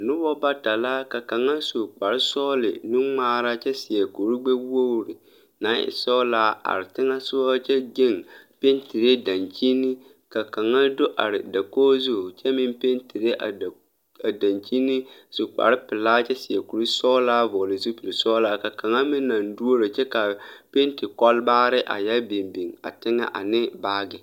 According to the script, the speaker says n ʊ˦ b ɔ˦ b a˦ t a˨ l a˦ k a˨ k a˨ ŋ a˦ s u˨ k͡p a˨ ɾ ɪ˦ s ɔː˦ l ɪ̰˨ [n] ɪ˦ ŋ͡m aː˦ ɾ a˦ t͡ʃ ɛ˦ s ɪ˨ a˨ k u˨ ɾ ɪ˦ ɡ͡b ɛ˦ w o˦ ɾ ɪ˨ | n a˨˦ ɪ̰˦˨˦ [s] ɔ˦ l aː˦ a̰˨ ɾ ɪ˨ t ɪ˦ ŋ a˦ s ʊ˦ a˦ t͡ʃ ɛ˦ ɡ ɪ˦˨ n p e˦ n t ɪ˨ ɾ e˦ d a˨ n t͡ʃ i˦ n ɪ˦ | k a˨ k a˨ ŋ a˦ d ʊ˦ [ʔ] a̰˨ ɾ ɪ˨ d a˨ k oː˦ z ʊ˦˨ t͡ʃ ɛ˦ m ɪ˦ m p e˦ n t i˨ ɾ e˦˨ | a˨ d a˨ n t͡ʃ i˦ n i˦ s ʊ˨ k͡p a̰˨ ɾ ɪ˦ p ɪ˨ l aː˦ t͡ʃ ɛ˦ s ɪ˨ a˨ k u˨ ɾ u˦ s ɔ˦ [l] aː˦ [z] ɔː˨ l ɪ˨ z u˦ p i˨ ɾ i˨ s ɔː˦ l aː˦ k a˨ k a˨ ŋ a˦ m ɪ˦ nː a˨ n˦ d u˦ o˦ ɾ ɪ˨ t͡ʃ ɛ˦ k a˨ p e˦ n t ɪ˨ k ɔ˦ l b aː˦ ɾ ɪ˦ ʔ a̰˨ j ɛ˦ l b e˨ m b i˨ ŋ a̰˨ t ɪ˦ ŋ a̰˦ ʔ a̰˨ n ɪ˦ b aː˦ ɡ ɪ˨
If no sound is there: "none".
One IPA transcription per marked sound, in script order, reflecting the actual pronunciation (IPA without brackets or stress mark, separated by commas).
n, s, ʔ, l, v